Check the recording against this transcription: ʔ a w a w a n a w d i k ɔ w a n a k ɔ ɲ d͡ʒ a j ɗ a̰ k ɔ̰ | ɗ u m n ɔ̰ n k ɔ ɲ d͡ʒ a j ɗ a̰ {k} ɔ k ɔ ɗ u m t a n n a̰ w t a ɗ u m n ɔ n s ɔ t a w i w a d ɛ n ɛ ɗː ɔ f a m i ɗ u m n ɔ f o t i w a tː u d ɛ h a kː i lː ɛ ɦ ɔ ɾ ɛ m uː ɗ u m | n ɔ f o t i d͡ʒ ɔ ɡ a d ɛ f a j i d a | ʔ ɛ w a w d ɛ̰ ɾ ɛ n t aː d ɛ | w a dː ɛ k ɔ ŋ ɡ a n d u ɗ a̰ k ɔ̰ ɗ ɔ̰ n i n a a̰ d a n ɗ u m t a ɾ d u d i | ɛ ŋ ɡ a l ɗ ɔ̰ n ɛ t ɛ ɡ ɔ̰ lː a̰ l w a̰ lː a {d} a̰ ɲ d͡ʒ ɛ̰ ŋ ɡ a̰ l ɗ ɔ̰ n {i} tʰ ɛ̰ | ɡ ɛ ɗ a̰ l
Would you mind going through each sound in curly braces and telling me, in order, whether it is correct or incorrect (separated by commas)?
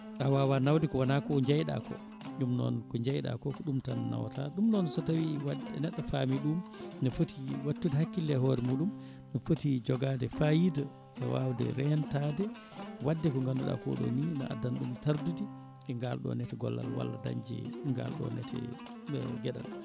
correct, correct, incorrect